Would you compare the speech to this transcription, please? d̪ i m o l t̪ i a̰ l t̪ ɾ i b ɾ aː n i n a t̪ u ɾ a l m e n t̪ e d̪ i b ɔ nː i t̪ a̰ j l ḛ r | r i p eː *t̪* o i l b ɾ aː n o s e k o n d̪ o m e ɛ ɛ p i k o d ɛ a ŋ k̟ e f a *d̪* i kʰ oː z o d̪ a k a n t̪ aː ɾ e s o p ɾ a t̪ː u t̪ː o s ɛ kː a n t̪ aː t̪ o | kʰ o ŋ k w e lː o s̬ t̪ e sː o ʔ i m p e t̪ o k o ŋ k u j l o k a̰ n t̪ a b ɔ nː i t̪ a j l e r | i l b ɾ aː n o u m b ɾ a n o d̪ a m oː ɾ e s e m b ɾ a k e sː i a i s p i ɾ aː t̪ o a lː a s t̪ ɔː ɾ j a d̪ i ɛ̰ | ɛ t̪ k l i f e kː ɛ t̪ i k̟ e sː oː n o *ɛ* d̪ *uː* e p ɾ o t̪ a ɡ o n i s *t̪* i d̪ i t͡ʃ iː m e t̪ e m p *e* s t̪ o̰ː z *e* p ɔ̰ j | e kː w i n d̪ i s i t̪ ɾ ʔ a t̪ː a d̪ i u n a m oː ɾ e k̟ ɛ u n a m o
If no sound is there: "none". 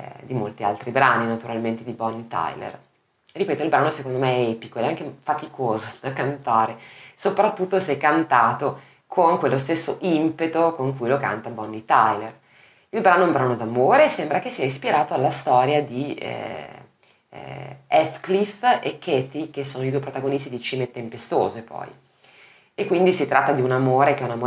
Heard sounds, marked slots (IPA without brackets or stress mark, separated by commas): t̪, t̪, i, u, t̪, e, e